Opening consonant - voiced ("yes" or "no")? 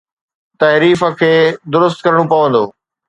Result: no